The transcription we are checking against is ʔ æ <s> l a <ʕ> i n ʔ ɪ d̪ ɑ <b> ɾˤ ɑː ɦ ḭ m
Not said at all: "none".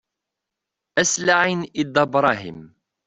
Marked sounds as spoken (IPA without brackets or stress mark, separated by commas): s, ʕ, b